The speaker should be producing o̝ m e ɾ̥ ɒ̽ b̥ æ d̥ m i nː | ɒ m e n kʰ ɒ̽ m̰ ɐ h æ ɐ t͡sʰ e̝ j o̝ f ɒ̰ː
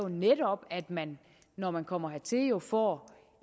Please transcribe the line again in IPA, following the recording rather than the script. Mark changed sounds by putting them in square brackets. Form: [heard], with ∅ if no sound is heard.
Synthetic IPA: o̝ [n] e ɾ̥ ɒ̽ b̥ æ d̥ m [æ] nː | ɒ m [æ] n kʰ ɒ̽ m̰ ɐ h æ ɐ t͡sʰ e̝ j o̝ f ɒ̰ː